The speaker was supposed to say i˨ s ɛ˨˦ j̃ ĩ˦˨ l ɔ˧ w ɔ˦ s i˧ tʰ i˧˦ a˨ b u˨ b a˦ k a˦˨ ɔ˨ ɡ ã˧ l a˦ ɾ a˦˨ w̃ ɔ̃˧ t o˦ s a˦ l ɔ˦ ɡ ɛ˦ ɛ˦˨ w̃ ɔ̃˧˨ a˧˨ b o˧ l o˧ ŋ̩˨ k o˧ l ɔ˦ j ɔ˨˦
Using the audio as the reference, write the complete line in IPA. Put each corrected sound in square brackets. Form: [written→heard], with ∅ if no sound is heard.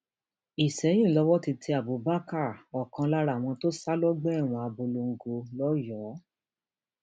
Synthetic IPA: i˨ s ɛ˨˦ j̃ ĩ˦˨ l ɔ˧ w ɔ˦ [s→t] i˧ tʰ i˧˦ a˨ b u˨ b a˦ k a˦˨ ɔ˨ [ɡ→k] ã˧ l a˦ ɾ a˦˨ w̃ ɔ̃˧ t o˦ s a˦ l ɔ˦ [ɡ→ɡ͡b] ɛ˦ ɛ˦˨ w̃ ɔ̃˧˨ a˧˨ b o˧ l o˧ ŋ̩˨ [k→ɡ] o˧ l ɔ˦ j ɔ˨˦